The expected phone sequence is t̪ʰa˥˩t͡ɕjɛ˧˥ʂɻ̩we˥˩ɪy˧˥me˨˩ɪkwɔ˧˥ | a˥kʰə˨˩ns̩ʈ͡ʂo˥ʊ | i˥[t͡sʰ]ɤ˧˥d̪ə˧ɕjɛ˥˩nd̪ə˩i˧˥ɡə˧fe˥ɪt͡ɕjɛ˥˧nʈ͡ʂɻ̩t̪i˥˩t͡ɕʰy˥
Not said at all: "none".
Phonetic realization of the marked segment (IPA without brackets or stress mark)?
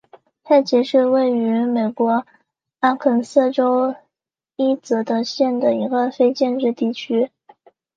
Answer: t͡s